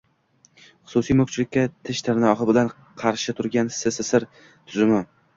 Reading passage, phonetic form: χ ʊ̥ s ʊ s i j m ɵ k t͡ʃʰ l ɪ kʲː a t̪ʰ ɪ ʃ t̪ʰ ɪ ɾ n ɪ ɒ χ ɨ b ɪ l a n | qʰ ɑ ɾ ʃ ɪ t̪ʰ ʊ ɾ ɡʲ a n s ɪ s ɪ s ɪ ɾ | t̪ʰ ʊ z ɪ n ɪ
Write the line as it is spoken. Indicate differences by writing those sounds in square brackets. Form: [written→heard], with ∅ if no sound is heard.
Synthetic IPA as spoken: χ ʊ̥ s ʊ s i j m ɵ k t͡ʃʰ l ɪ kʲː a t̪ʰ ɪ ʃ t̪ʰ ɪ ɾ n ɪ ɒ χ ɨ b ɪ l a n | qʰ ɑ ɾ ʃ ɪ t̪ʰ ʊ ɾ ɡʲ a n s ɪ s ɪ s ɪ ɾ | t̪ʰ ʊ z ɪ [n→m] ɪ